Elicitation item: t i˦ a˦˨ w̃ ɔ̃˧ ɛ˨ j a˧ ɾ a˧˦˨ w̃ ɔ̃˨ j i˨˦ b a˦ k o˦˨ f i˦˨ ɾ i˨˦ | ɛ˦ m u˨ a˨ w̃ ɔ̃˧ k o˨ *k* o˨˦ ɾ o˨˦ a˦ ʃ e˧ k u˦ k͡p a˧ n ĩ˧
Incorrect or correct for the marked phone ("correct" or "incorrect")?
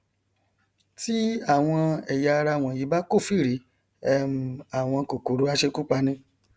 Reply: correct